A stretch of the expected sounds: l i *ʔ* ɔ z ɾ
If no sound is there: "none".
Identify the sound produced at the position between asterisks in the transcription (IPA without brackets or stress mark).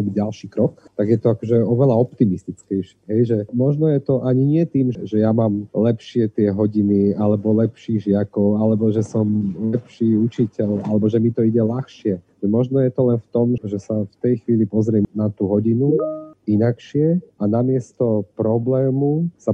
p